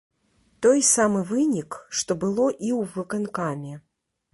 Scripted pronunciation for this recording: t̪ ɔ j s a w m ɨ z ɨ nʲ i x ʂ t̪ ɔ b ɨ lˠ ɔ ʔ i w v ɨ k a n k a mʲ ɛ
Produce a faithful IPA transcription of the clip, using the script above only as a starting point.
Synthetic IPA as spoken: t̪ ɔ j s a m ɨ v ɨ nʲ i k ʂ t̪ ɔ b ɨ lˠ ɔ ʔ i w v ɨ k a n k a mʲ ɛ